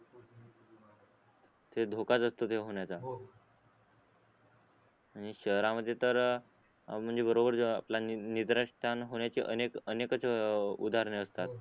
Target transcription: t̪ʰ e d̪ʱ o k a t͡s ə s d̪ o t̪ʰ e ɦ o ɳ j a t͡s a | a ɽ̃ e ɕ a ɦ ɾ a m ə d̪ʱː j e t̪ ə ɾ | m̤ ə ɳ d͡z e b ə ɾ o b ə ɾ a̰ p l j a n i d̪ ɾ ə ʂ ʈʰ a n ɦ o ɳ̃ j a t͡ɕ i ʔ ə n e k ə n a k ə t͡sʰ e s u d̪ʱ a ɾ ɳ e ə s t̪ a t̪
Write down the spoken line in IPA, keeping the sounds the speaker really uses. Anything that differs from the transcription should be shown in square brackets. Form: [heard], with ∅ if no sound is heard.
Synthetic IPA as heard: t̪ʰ e d̪ʱ o k a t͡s ə s [t̪] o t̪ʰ e ɦ o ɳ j a t͡s a | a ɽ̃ [i] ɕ [ə] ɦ ɾ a m ə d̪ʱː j e t̪ ə ɾ | m̤ ə ɳ d͡z e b ə ɾ o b ə ɾ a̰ p l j a n i d̪ ɾ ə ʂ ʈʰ a n ɦ o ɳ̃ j a t͡ɕ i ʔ ə n e k ə n [e] k ə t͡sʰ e [∅] u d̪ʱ a ɾ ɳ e ə s t̪ a t̪